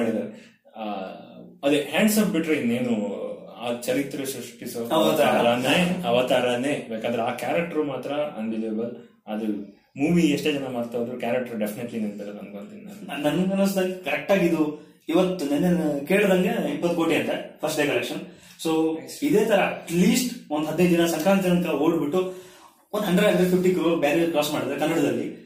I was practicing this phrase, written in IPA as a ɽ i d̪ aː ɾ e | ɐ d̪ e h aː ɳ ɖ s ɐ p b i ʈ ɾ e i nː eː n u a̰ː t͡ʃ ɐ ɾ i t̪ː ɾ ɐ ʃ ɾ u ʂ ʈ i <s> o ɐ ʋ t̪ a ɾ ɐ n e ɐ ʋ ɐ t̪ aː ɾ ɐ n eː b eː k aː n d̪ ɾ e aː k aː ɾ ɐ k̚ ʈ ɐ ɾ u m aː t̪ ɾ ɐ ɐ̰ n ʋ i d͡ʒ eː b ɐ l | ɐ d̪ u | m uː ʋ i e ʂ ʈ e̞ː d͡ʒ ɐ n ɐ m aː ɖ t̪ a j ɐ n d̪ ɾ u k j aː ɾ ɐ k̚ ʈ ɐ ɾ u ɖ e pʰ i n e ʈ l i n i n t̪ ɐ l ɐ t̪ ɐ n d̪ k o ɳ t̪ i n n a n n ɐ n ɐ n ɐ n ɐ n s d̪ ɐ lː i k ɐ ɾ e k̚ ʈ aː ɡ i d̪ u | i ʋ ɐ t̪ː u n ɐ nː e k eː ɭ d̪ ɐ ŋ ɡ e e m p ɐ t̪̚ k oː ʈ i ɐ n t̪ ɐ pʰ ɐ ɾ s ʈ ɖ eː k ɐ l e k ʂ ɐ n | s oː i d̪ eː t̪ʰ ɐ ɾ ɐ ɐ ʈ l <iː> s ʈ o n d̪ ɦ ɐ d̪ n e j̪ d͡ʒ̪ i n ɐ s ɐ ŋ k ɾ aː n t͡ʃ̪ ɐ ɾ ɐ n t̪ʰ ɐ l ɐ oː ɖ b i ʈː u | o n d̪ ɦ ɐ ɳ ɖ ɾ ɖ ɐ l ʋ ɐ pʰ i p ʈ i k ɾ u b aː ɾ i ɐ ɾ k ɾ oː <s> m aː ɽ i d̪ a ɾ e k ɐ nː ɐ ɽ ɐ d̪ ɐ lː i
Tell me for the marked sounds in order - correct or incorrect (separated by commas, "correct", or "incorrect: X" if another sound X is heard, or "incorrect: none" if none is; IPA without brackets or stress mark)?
correct, correct, correct